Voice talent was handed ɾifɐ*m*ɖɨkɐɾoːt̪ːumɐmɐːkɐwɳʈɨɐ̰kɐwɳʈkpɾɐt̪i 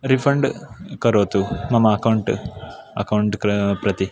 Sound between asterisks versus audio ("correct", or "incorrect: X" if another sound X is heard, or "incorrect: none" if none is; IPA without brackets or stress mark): incorrect: ɳ